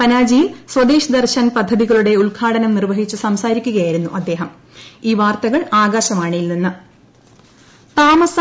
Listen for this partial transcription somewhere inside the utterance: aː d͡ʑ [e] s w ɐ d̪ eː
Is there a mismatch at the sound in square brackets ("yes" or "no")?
yes